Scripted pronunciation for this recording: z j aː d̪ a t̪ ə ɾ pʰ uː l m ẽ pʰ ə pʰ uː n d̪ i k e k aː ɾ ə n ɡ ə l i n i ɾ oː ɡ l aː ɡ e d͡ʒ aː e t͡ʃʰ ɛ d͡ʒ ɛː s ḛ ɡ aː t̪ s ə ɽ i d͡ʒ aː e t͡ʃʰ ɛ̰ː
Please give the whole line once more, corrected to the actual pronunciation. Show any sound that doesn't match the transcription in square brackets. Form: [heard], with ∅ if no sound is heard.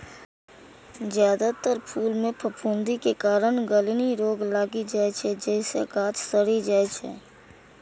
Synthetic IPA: z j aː d̪ a t̪ ə ɾ pʰ uː l m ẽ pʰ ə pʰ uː n d̪ i k e k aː ɾ ə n ɡ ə l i n i ɾ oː ɡ l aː ɡ [i] d͡ʒ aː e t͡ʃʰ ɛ d͡ʒ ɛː s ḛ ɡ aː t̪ s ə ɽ i d͡ʒ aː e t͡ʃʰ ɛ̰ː